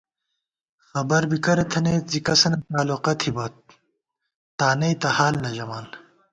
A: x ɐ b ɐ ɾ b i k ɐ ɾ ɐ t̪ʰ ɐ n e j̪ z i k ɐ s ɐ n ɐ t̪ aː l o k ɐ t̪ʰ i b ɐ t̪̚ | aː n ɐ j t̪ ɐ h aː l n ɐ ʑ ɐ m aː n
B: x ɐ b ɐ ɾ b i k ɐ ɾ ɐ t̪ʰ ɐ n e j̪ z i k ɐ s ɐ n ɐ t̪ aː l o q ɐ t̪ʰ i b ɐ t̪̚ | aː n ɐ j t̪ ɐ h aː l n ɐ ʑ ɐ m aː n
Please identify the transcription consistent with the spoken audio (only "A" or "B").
B